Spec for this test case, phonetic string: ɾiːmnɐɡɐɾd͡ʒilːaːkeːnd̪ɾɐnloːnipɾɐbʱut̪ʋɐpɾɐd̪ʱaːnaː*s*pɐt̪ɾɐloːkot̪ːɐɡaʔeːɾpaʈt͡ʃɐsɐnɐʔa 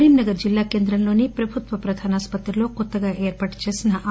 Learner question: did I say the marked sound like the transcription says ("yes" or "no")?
yes